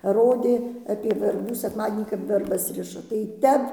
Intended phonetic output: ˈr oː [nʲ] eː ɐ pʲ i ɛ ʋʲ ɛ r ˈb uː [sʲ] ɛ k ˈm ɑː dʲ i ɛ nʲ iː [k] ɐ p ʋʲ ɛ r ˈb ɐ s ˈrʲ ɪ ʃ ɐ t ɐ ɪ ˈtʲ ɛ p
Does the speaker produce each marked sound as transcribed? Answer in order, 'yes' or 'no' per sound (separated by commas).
no, yes, yes